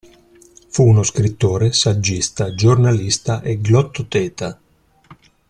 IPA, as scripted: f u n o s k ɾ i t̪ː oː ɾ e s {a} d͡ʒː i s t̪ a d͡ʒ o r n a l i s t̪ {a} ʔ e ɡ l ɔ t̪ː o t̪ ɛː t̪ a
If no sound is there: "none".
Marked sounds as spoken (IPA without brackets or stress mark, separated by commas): a, a